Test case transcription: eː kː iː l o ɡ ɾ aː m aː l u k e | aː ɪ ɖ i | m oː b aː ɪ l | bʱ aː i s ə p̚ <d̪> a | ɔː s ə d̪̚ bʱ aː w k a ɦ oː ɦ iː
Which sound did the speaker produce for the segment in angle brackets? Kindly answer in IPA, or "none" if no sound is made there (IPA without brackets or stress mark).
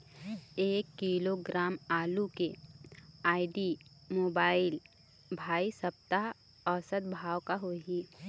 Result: t̪